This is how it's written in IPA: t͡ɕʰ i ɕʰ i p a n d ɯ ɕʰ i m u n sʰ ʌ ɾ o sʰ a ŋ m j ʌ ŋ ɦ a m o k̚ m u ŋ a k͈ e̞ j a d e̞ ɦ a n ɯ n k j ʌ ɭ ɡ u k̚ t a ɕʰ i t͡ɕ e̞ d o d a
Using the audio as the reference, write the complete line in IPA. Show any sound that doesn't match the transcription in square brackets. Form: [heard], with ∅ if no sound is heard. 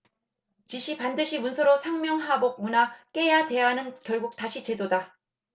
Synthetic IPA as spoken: [t͡ɕ] i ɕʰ i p a n d ɯ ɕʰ i m u n sʰ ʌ ɾ o sʰ a ŋ m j ʌ ŋ ɦ a [b] o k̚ m u [n] a k͈ e̞ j a d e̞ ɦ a n ɯ n k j ʌ ɭ ɡ u k̚ t a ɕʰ i t͡ɕ e̞ d o d a